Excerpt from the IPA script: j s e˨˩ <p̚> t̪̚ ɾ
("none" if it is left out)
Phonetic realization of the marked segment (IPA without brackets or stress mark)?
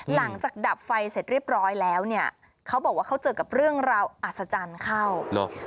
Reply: none